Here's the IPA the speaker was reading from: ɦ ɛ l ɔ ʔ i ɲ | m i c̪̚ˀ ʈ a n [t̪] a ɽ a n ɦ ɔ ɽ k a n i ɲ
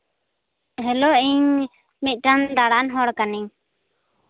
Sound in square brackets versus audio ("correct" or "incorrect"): incorrect